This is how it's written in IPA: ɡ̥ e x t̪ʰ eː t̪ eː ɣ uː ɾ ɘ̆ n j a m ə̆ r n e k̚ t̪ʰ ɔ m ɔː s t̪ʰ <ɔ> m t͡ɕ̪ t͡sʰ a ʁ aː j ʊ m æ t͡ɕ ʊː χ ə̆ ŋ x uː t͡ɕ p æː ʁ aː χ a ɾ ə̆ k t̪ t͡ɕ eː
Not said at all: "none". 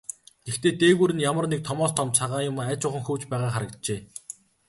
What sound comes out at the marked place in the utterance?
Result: ɔ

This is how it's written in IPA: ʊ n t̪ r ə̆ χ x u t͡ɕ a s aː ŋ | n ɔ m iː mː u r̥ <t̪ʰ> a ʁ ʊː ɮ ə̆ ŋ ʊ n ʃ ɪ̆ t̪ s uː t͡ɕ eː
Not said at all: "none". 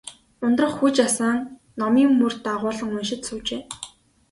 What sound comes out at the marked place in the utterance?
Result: t̪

